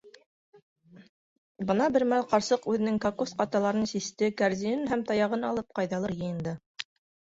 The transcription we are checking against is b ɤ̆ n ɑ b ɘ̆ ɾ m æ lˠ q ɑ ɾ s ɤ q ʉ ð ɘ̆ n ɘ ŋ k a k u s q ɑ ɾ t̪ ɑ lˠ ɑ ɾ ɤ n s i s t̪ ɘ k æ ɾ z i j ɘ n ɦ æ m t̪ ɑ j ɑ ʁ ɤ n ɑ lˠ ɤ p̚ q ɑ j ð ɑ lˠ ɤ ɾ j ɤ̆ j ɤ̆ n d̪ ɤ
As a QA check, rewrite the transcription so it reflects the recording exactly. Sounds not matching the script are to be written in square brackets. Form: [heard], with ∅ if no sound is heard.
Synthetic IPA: b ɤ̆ n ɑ b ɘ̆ ɾ m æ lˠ q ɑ ɾ s ɤ q ʉ ð ɘ̆ n ɘ ŋ k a k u s q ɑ [∅] t̪ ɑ lˠ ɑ ɾ ɤ n s i s t̪ ɘ k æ ɾ z i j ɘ n ɦ æ m t̪ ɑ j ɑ ʁ ɤ n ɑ lˠ ɤ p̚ q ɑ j ð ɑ lˠ ɤ ɾ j ɤ̆ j ɤ̆ n d̪ ɤ